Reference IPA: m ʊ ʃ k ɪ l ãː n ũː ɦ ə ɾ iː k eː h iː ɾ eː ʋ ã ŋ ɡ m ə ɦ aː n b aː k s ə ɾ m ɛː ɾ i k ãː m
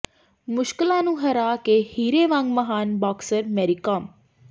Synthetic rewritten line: m ʊ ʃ k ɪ l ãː n ũː ɦ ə ɾ aː k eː h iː ɾ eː ʋ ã ŋ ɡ m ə ɦ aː n b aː k s ə ɾ m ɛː ɾ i k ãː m